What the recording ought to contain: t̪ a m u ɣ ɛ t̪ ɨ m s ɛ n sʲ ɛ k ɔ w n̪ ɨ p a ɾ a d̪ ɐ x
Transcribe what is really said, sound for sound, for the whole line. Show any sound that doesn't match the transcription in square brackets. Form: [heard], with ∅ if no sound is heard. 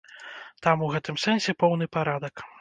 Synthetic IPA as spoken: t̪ a m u ɣ ɛ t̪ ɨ m s ɛ n sʲ ɛ [p] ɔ w n̪ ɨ p a ɾ a d̪ ɐ [k]